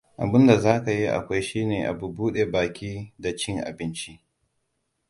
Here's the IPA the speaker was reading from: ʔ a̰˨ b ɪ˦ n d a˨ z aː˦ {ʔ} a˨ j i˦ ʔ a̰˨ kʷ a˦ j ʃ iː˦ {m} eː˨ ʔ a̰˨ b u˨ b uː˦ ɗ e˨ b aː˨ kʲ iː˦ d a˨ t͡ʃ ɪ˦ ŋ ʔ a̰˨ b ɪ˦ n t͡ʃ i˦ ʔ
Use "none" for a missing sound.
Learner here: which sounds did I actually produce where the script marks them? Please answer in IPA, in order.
k, n

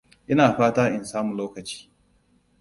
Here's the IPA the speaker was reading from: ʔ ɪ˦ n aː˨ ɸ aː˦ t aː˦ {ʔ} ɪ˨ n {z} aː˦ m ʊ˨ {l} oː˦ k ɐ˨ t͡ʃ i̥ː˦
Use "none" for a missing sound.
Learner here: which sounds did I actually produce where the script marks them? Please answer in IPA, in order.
ʔ, s, l

